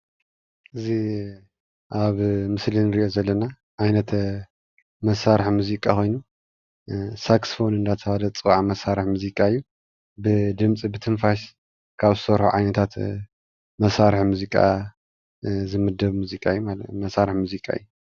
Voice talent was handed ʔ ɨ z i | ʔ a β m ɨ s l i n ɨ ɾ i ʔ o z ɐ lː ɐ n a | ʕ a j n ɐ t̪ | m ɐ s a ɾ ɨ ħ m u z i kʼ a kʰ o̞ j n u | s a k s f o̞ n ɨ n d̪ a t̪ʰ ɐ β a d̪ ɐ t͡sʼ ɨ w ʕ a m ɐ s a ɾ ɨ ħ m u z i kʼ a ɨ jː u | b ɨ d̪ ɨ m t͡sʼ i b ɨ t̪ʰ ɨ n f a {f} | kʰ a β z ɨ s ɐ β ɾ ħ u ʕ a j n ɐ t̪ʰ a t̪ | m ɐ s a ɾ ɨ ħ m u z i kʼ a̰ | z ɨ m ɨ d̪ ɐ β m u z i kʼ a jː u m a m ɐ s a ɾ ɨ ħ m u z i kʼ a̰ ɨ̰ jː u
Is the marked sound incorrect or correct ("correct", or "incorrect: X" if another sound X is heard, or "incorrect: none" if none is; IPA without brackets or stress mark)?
incorrect: ʃ